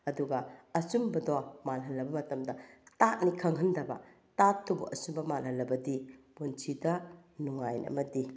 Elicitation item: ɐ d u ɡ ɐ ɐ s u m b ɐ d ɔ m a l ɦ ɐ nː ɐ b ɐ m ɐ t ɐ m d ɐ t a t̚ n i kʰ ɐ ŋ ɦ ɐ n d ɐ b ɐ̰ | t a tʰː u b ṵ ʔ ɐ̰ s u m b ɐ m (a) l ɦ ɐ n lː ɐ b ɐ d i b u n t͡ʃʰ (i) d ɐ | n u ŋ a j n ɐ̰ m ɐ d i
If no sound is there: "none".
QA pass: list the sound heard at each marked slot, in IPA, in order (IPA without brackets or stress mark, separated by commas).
a, i